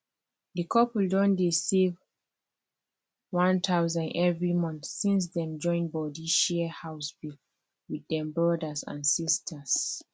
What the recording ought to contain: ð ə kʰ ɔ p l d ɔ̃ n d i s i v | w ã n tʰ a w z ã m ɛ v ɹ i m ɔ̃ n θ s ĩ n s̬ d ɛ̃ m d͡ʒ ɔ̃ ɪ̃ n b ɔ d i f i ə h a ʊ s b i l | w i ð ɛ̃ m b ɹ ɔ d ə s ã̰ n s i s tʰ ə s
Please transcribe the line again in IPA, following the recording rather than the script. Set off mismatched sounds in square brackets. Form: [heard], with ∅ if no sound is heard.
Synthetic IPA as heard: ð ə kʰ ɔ p l d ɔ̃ n d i s i v | w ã n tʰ a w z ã [n] ɛ v ɹ i m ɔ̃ n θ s ĩ n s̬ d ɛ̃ m d͡ʒ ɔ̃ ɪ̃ n b ɔ d i [ʃ] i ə h a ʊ s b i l | w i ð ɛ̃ m b ɹ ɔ d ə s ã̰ n s i s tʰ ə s